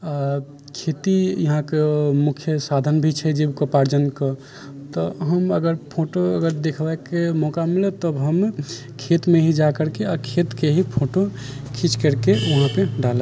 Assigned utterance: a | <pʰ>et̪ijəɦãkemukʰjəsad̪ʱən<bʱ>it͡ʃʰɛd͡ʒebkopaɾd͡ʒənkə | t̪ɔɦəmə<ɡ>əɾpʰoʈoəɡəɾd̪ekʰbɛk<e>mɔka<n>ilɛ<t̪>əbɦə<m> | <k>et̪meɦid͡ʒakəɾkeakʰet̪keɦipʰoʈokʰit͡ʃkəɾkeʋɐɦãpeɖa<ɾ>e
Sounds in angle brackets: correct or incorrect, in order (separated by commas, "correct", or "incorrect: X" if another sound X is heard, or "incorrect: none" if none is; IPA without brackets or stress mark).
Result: incorrect: kʰ, correct, correct, correct, incorrect: m, correct, correct, incorrect: kʰ, incorrect: l